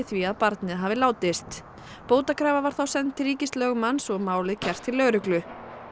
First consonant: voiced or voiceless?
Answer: voiceless